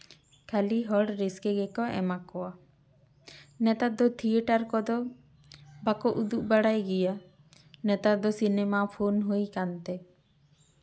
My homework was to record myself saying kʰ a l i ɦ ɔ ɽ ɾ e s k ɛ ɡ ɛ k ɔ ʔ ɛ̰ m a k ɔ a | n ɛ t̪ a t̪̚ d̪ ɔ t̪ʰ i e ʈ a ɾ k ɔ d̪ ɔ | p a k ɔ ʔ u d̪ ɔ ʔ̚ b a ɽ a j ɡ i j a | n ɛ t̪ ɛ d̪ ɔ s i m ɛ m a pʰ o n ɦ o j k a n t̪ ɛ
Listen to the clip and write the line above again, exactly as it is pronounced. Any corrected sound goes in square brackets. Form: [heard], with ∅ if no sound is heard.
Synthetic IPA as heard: kʰ a l i ɦ ɔ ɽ ɾ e s k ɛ ɡ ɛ k ɔ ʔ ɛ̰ m a k ɔ a | n ɛ t̪ a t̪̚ d̪ ɔ t̪ʰ i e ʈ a ɾ k ɔ d̪ ɔ | [b] a k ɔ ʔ u d̪ [u] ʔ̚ b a ɽ a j ɡ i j a | n ɛ t̪ [a] d̪ ɔ s i [n] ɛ m a pʰ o n ɦ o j k a n t̪ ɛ